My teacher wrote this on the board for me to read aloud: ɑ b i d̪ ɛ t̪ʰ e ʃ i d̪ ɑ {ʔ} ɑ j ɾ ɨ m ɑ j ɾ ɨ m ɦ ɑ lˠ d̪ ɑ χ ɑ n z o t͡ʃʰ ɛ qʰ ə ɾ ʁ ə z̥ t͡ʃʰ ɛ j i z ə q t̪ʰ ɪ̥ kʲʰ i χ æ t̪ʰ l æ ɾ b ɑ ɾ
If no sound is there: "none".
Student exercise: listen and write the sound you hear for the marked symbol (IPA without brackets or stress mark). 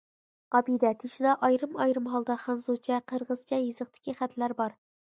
ʔ